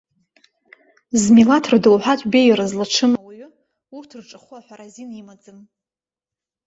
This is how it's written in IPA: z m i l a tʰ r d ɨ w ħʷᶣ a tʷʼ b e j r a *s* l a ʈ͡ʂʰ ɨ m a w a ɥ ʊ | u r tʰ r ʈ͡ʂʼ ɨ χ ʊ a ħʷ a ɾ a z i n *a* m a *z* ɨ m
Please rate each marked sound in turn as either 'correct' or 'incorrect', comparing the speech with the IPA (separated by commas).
incorrect, incorrect, incorrect